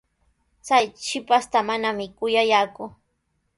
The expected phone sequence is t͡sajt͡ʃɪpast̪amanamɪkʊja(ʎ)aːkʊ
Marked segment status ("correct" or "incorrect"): incorrect